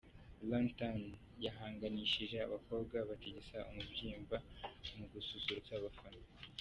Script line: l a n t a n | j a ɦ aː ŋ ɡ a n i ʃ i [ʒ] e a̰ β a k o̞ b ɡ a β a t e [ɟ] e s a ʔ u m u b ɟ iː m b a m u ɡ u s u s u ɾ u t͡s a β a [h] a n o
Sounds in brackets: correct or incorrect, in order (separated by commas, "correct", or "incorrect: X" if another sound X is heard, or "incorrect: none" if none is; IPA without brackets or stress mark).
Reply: correct, correct, incorrect: f